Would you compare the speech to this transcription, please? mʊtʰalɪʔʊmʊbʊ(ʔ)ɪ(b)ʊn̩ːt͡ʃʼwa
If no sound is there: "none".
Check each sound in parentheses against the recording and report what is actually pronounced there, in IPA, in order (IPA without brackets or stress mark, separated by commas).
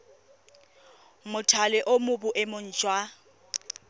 ʔ, m